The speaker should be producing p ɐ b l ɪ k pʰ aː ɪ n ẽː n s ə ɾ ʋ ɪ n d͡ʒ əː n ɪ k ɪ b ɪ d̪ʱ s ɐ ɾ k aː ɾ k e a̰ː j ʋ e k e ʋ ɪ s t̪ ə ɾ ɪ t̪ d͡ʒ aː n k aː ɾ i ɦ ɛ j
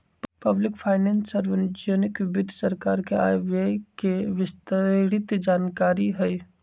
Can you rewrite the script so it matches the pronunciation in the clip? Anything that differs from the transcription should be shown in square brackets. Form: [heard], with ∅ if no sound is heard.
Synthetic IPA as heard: p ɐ b l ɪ k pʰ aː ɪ n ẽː n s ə ɾ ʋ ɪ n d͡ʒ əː n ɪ k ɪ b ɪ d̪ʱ s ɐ ɾ k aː ɾ k e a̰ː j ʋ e k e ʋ ɪ s t̪ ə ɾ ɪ t̪ d͡ʒ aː n k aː ɾ i ɦ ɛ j